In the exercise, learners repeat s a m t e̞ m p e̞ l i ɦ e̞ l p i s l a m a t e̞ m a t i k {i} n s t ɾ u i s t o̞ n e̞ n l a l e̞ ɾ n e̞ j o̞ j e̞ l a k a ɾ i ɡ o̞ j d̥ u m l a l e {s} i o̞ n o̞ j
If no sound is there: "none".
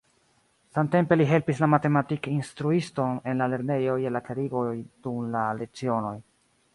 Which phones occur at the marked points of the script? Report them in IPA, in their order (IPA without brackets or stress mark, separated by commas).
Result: i, t͡s